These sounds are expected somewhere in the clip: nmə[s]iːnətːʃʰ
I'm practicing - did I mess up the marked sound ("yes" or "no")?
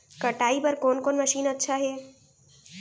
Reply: yes